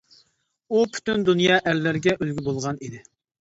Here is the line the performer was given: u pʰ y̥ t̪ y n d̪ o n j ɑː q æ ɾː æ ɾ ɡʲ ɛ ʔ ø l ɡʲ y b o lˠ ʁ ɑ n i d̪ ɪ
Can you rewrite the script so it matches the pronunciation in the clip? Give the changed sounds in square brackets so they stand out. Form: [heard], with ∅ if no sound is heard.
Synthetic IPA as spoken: u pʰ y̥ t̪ y n d̪ [u] n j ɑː [ʔ] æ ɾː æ ɾ ɡʲ ɛ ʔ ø l ɡʲ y b o lˠ ʁ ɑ n i d̪ ɪ

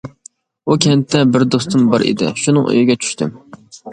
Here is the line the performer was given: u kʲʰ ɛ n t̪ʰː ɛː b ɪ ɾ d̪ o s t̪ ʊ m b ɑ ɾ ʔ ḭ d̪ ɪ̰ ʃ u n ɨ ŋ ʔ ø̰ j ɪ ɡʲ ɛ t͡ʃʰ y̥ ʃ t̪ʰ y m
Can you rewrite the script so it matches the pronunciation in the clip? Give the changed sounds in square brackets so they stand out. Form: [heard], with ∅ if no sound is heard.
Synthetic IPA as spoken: u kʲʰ ɛ n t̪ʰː [ɛ] b ɪ ɾ d̪ o s t̪ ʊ m b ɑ ɾ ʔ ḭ d̪ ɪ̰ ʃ u n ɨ ŋ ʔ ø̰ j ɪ ɡʲ ɛ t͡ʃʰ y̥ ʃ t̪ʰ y m

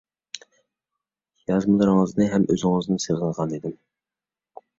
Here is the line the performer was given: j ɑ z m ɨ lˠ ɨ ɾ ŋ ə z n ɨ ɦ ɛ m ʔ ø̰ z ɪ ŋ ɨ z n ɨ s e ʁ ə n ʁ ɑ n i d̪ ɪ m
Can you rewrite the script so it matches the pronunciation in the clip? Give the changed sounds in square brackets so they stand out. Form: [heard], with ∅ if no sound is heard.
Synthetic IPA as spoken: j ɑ z m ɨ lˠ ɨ ɾ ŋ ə z n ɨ ɦ ɛ m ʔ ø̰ z ɪ ŋ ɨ z n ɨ s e ʁ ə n ʁ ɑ n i d̪ ɪ m

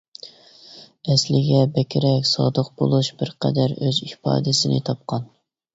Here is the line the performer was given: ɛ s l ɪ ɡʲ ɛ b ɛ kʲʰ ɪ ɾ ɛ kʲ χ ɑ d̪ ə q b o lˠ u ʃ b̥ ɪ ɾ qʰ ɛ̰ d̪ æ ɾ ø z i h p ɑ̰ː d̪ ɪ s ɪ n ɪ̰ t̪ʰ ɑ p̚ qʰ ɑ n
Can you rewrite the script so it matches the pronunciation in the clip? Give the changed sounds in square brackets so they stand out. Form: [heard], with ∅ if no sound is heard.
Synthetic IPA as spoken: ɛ s l ɪ ɡʲ ɛ b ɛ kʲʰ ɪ ɾ ɛ kʲ [s] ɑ d̪ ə q b o lˠ u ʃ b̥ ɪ ɾ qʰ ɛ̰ d̪ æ ɾ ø z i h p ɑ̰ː d̪ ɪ s ɪ n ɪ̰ t̪ʰ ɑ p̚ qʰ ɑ n

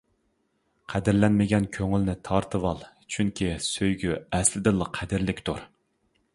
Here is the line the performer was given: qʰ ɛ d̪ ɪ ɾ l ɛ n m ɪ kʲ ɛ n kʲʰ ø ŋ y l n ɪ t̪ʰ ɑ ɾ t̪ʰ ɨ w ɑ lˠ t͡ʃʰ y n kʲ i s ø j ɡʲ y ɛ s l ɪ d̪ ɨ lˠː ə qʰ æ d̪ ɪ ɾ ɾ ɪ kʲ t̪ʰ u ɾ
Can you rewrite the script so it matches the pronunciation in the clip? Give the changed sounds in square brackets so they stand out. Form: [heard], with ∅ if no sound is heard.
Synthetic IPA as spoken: qʰ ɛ d̪ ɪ ɾ l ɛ n m ɪ [ɡʲ] ɛ n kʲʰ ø ŋ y l n ɪ t̪ʰ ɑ ɾ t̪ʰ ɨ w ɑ lˠ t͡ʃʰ y [ŋ] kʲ i s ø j ɡʲ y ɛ s l ɪ d̪ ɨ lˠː ə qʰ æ d̪ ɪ ɾ [l] ɪ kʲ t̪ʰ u ɾ

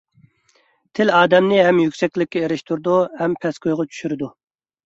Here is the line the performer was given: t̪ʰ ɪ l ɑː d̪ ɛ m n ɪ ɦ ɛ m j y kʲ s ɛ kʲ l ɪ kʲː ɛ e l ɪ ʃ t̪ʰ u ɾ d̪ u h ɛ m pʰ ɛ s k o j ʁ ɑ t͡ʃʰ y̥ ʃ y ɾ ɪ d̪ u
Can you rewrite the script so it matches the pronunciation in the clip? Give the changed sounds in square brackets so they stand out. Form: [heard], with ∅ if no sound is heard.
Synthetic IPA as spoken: t̪ʰ ɪ l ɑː d̪ ɛ m n ɪ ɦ ɛ m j y kʲ s ɛ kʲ l ɪ kʲː ɛ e [ɾ] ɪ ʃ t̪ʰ u ɾ d̪ u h ɛ m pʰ ɛ s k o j ʁ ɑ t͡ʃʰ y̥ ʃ y ɾ ɪ d̪ u

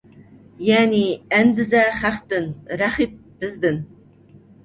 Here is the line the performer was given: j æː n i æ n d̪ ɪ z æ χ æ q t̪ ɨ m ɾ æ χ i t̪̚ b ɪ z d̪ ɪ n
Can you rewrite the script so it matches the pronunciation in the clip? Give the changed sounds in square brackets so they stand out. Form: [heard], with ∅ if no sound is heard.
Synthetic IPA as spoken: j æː n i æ n d̪ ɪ z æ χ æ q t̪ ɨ [n] ɾ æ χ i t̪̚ b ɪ z d̪ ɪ n

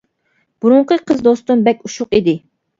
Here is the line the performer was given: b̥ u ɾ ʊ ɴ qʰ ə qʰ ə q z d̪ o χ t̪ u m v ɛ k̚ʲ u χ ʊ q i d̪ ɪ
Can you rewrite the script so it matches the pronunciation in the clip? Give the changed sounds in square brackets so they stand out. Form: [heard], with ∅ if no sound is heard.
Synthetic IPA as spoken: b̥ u ɾ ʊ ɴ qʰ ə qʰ ə [∅] z d̪ o [s] t̪ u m [b] ɛ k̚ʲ u [ʃ] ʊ q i d̪ ɪ

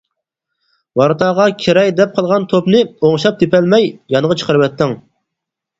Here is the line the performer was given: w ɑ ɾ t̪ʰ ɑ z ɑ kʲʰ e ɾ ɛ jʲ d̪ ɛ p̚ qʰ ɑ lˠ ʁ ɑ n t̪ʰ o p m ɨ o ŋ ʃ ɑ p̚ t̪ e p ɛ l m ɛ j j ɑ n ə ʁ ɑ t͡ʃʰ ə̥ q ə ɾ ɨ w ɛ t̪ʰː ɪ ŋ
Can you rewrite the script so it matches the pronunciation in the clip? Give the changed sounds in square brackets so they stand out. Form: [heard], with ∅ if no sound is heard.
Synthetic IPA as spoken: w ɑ ɾ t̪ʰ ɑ [ʁ] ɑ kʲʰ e ɾ ɛ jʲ d̪ ɛ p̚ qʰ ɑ lˠ ʁ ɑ n t̪ʰ o p [n] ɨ o ŋ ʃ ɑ p̚ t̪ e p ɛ l m ɛ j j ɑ n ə ʁ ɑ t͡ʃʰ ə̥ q ə ɾ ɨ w ɛ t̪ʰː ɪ ŋ

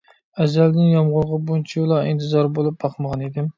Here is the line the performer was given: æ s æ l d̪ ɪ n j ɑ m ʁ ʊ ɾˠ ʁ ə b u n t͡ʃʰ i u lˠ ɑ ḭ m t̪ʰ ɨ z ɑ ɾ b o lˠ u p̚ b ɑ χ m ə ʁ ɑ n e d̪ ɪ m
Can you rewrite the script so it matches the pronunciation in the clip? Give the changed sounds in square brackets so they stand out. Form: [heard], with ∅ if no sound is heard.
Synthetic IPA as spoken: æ [z] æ l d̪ ɪ n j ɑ m ʁ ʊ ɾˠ ʁ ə b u n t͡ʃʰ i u lˠ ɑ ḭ [n] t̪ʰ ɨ z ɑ ɾ b o lˠ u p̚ b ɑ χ m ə ʁ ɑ n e d̪ ɪ m

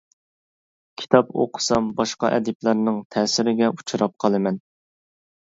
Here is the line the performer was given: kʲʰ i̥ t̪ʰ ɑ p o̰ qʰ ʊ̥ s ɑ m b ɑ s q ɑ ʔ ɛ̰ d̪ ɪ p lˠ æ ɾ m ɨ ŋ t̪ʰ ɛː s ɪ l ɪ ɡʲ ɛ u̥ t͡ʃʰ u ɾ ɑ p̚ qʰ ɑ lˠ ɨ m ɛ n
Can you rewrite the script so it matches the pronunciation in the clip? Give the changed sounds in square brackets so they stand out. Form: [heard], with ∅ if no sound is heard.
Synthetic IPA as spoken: kʲʰ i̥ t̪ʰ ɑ p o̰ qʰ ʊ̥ s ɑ m b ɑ [ʃ] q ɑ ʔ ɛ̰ d̪ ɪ p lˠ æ ɾ [n] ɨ ŋ t̪ʰ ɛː s ɪ [ɾ] ɪ ɡʲ ɛ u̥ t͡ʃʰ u ɾ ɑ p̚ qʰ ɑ lˠ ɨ m ɛ n

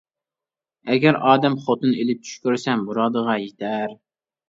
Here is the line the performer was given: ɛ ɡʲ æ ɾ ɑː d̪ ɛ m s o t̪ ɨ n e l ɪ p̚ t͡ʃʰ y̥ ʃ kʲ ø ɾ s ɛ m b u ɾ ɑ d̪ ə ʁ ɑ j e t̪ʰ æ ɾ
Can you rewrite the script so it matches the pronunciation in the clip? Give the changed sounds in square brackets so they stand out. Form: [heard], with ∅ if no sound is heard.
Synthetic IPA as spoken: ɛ ɡʲ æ ɾ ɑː d̪ ɛ m [χ] o t̪ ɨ n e l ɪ p̚ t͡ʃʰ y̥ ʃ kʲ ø ɾ s ɛ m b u ɾ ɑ d̪ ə ʁ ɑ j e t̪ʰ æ ɾ

